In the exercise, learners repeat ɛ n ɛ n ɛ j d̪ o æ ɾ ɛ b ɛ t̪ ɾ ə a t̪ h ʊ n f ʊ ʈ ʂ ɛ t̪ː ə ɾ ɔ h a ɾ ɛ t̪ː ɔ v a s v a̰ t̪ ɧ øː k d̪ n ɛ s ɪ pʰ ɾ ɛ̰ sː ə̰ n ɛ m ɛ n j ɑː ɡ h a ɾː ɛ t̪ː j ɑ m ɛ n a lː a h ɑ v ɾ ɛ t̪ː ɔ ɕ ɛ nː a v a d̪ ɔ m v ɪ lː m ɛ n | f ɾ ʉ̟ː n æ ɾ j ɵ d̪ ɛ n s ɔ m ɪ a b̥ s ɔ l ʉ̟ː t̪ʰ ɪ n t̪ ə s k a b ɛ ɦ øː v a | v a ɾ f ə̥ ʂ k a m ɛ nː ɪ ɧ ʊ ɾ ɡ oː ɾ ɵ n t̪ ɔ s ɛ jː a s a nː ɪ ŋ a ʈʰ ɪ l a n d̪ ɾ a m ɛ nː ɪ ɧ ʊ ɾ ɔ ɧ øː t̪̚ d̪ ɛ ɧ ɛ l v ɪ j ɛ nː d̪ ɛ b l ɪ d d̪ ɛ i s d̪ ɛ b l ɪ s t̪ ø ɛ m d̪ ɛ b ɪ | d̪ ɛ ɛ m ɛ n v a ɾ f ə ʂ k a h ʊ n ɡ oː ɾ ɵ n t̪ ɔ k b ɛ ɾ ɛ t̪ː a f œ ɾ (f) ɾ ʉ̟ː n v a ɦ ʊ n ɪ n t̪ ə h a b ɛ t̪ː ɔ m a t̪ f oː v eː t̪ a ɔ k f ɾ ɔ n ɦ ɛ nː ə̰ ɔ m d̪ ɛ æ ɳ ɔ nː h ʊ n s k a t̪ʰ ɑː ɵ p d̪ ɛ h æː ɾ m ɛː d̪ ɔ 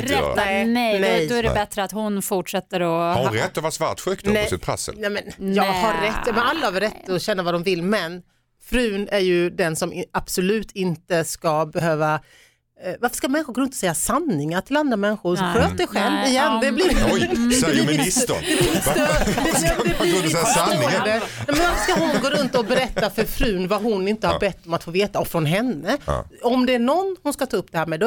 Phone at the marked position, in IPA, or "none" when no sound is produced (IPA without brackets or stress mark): f